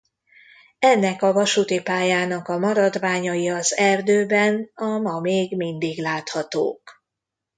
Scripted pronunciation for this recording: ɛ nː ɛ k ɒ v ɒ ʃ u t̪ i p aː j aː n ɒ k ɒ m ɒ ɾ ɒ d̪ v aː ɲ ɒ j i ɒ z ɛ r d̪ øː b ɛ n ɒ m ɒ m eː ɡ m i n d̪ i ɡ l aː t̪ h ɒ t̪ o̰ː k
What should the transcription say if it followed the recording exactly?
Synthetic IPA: ɛ nː ɛ k ɒ v ɒ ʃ u t̪ i p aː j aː n ɒ k ɒ m ɒ ɾ ɒ d̪ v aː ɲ ɒ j i ɒ z ɛ r d̪ øː b ɛ n ɒ m ɒ m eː ɡ m i n d̪ i ɡ l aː t̪ h ɒ t̪ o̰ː k